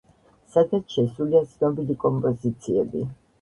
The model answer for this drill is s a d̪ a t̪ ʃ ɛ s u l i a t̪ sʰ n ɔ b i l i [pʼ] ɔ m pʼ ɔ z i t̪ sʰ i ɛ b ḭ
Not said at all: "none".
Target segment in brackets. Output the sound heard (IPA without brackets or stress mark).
kʼ